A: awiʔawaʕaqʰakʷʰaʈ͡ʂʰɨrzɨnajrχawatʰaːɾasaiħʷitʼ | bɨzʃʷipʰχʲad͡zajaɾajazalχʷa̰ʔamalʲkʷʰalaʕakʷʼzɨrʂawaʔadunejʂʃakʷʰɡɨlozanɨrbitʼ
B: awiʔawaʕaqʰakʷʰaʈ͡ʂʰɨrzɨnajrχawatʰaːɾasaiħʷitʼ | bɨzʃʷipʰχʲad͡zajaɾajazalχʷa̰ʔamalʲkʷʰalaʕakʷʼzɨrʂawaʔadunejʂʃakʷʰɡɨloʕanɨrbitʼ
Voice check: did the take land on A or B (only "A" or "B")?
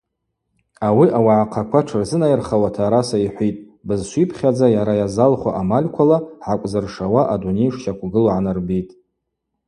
B